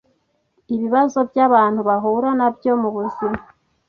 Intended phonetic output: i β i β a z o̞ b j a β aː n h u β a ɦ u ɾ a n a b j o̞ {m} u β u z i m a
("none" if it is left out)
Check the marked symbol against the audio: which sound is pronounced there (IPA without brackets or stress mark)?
m